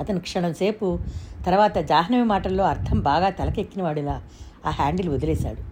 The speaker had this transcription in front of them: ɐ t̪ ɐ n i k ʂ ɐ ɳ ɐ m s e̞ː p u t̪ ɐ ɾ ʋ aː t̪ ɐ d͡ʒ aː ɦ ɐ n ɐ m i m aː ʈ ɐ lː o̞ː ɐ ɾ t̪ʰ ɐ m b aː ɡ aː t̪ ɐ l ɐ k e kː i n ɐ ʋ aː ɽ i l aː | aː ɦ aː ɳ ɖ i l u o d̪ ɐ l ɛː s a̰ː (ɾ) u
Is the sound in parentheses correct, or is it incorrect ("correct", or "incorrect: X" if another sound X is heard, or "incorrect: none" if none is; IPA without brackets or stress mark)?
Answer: incorrect: ɽ